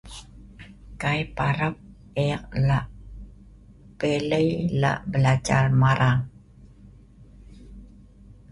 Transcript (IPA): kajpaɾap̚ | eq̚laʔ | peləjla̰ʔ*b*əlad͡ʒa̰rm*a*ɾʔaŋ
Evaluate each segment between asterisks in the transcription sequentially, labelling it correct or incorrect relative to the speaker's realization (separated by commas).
correct, correct